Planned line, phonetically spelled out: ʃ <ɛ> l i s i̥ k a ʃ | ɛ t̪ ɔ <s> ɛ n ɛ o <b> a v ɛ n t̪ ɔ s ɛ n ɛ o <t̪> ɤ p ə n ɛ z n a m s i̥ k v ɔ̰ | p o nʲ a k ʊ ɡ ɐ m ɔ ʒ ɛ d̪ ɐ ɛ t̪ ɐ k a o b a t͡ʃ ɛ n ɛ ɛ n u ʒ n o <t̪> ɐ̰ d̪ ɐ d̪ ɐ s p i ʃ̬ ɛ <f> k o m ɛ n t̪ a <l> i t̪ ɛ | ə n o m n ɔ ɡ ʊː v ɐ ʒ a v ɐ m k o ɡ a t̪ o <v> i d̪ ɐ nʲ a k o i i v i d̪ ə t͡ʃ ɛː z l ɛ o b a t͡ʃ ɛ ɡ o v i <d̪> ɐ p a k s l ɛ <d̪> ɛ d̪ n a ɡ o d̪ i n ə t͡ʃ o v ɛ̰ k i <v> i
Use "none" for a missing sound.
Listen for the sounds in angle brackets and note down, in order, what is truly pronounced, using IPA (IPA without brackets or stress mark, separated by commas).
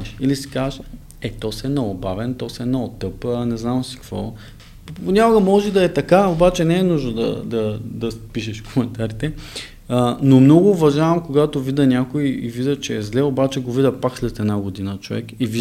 i, s, b, t̪, d̪, ʃ, ɾ, v, d̪, t̪, v